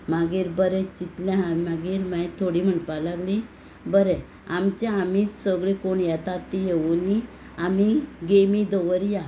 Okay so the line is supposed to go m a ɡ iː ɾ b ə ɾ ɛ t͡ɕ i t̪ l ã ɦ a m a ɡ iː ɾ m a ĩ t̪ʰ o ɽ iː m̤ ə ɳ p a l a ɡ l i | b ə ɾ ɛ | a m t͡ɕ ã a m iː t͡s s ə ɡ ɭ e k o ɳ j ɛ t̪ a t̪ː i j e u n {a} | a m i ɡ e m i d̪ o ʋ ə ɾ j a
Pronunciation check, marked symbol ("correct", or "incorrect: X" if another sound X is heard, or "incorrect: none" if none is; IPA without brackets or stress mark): incorrect: i